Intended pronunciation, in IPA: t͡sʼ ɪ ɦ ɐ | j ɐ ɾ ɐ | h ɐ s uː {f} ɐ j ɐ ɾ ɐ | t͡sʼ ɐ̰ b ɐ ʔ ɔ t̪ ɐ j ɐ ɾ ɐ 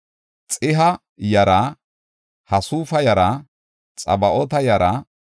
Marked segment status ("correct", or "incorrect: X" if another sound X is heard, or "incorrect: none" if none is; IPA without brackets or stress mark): correct